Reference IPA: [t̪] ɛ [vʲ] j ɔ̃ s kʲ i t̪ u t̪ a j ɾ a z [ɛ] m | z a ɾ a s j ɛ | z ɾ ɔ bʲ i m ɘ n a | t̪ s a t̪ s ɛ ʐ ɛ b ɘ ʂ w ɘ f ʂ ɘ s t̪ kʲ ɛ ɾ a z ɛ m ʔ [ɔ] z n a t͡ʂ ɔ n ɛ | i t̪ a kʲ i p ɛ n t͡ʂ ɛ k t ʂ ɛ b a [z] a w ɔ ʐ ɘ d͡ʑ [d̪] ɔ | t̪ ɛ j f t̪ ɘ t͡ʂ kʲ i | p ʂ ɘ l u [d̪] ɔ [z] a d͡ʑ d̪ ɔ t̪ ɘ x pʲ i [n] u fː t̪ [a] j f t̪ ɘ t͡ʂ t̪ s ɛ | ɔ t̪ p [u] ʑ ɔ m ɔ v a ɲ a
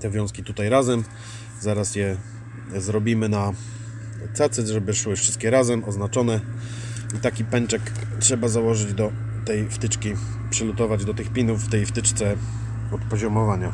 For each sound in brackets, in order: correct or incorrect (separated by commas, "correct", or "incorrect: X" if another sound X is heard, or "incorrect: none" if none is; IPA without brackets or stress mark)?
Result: correct, correct, correct, correct, correct, correct, incorrect: t̪, incorrect: v, correct, incorrect: ɛ, incorrect: ɔ